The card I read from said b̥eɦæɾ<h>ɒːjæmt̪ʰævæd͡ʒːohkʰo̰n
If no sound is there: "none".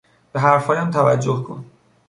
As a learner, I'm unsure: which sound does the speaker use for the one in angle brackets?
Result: f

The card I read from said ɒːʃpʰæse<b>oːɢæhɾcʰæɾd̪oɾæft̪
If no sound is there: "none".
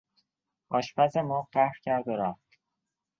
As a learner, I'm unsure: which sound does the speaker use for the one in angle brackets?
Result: m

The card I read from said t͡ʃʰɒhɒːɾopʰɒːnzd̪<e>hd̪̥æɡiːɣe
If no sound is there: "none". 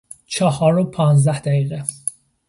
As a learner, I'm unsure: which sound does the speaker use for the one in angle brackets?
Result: æ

